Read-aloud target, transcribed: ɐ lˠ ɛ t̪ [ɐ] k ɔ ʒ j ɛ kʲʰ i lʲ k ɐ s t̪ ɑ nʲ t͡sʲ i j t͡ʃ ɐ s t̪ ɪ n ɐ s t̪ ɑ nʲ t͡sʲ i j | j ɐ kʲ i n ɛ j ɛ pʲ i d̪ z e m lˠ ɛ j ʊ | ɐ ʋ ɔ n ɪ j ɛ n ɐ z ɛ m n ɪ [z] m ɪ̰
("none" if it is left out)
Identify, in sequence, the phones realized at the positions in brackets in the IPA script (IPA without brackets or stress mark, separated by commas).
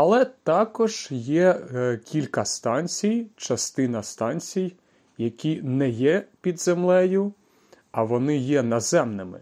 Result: ɑ, none